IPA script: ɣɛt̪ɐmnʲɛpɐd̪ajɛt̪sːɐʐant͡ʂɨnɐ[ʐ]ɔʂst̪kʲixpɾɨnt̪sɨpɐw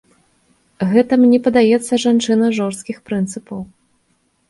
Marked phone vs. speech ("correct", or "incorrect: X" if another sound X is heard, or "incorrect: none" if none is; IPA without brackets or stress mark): correct